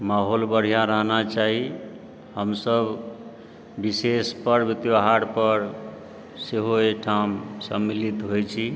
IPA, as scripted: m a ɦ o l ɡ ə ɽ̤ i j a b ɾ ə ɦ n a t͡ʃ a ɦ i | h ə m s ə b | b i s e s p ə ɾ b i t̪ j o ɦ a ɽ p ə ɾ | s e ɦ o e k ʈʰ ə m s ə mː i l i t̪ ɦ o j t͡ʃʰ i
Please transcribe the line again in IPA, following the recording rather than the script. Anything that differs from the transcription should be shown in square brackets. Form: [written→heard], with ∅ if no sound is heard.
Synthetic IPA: m a ɦ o l [ɡ→b] ə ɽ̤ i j a [b→∅] ɾ ə ɦ n a t͡ʃ a ɦ i | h ə m s ə b | b i s e s p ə ɾ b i t̪ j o ɦ a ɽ p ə ɾ | s e ɦ o e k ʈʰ [ə→a] m s ə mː i l i t̪ ɦ o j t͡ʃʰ i